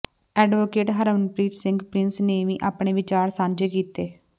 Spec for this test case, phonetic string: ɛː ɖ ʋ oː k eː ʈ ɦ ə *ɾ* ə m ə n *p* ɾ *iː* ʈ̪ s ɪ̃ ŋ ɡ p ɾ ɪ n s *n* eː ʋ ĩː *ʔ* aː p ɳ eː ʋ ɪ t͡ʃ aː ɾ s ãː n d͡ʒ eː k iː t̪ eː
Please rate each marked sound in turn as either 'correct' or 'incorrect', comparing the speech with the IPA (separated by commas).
correct, correct, correct, correct, correct